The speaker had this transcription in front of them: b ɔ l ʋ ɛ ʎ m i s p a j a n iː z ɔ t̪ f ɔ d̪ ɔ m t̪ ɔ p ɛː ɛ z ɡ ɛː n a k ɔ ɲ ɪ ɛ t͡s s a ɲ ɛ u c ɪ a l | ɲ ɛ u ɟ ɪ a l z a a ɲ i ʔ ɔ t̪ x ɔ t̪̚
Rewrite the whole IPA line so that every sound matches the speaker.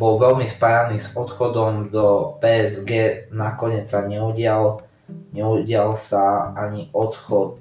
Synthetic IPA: b ɔ l ʋ ɛ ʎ m i s p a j a n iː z ɔ t̪ x ɔ d̪ ɔ m d̪ ɔ p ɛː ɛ z ɡ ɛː n a k ɔ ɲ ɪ ɛ t͡s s a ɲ ɛ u ɟ ɪ a l | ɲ ɛ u ɟ ɪ a l s a a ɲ i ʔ ɔ t̪ x ɔ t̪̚